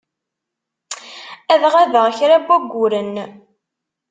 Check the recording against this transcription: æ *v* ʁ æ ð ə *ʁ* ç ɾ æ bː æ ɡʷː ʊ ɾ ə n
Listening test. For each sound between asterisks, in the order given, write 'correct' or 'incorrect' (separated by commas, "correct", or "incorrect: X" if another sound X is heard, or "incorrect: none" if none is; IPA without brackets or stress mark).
incorrect: ð, correct